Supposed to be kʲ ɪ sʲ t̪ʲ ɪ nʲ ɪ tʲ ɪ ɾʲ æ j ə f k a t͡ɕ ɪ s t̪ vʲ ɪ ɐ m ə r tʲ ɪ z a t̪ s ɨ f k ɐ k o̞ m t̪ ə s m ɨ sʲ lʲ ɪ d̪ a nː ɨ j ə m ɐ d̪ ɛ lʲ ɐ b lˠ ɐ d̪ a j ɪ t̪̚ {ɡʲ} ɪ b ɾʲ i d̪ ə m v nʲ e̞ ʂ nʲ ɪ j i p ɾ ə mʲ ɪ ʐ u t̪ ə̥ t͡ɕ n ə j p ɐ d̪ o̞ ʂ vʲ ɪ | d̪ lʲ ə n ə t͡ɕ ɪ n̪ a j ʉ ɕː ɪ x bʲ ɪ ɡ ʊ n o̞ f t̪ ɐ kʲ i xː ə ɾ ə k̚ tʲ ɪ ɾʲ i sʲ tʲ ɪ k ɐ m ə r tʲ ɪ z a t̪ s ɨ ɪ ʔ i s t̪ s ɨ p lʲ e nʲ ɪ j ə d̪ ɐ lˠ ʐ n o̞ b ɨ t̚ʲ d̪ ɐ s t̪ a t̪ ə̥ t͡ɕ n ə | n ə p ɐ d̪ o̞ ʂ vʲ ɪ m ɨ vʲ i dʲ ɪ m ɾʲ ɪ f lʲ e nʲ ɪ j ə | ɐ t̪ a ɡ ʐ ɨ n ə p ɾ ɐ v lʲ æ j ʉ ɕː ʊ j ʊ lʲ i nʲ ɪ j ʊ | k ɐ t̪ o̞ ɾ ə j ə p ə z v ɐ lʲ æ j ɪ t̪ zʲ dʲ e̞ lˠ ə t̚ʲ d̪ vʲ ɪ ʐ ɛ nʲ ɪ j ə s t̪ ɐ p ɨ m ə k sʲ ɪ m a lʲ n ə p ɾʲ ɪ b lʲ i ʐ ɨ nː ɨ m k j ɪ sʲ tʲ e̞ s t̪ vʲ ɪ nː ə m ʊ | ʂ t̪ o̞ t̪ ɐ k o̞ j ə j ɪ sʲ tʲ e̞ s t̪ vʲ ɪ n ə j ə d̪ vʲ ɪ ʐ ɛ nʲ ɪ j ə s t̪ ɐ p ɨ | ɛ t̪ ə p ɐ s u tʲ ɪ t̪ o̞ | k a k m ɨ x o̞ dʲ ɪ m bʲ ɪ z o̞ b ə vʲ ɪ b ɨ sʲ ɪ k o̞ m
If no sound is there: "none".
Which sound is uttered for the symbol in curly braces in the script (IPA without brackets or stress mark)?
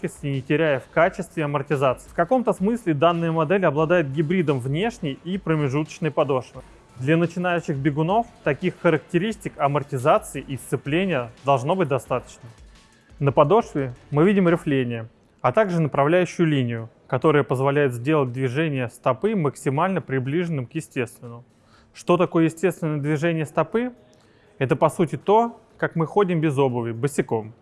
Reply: ɡʲ